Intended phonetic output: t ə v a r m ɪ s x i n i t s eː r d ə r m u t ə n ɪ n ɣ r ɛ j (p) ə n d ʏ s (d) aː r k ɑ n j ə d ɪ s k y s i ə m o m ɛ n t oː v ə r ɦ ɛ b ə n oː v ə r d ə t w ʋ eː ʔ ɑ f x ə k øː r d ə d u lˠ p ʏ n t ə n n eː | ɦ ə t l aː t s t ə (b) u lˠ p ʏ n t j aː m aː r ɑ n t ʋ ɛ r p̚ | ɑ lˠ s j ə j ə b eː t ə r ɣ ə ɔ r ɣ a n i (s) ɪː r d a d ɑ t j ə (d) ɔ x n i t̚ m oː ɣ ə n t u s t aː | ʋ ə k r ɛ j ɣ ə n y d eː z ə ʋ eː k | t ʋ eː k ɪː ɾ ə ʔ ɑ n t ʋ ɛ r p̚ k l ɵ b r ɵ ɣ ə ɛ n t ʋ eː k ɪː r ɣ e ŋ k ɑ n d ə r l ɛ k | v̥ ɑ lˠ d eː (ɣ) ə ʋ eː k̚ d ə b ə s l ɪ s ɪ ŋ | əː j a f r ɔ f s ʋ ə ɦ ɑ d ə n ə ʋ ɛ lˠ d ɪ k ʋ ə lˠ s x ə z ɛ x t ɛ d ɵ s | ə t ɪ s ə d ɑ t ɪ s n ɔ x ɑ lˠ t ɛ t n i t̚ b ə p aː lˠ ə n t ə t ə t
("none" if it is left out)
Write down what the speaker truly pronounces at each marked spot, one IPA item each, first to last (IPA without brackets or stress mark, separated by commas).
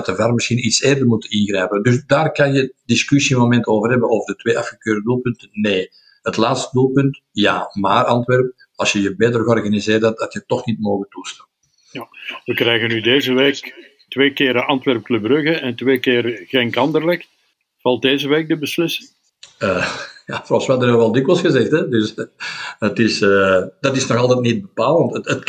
p, d, d, z, t, z